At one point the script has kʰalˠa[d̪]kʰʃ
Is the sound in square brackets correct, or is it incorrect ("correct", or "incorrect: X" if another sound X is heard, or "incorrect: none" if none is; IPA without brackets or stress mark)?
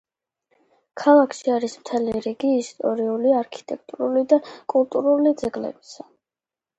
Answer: incorrect: none